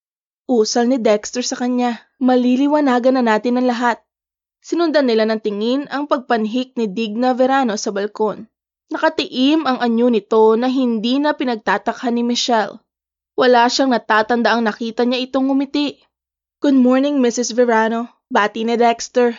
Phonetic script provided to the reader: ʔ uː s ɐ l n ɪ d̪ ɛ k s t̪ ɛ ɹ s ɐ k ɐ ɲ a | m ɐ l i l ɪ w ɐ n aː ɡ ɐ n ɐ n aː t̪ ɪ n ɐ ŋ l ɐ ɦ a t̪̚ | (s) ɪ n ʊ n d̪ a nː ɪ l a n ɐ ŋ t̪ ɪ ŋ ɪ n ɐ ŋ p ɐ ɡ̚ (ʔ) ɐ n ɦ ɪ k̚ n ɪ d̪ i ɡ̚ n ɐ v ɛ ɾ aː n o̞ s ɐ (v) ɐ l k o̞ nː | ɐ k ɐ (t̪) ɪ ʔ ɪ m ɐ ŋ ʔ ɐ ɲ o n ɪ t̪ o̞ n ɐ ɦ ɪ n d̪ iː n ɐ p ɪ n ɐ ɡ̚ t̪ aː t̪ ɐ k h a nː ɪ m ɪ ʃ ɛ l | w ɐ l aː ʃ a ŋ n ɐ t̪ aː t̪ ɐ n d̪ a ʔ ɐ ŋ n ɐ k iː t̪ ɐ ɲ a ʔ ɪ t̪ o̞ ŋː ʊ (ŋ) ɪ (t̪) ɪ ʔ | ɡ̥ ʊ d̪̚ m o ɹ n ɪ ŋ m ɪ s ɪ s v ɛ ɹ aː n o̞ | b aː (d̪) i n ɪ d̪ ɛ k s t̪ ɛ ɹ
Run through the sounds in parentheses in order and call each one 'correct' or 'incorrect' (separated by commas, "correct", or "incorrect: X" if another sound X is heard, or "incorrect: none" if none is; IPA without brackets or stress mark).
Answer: correct, incorrect: p, incorrect: b, correct, incorrect: m, correct, incorrect: t̪